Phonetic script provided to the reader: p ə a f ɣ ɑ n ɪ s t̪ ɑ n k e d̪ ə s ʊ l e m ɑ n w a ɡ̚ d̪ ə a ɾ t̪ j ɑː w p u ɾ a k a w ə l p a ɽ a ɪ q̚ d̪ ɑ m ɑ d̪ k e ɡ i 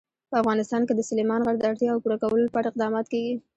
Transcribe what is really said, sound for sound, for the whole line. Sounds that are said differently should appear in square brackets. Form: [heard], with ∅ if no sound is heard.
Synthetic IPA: p ə a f ɣ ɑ n ɪ s t̪ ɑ n k e d̪ ə s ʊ l e m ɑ n [ɣ] a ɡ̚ d̪ ə a [ɽ] t̪ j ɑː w p u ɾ a k a w ə l p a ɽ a ɪ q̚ d̪ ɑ m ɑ [t̪] k e ɡ i